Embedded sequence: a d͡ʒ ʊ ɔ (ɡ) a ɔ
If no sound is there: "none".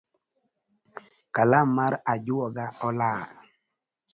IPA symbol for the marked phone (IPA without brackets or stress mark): ɡ